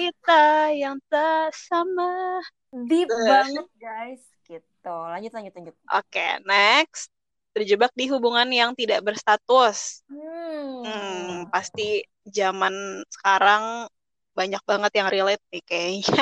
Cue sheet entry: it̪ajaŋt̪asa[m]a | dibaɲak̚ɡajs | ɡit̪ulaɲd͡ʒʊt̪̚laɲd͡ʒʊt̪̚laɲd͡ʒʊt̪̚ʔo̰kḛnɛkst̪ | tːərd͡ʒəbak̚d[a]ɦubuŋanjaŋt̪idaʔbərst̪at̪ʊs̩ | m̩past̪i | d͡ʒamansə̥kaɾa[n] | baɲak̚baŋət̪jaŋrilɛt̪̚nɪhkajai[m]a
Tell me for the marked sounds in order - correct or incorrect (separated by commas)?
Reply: correct, incorrect, incorrect, incorrect